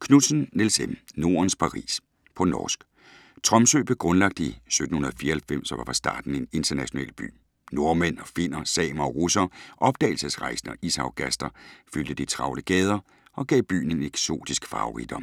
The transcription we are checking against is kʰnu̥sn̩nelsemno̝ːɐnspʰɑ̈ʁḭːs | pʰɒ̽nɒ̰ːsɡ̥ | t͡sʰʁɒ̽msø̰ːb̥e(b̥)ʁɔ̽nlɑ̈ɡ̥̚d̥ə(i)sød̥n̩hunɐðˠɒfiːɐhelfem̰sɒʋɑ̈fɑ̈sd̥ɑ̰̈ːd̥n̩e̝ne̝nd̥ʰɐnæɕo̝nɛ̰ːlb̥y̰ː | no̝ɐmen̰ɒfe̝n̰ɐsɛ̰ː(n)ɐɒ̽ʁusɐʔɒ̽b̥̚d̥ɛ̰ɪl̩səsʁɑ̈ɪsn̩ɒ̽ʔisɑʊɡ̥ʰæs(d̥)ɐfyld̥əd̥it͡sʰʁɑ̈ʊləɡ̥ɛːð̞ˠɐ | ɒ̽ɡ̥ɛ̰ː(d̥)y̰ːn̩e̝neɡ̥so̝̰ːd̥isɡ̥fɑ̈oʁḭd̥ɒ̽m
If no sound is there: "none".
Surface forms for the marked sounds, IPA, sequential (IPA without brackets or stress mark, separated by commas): ɡ̥, i, m, d̥, b̥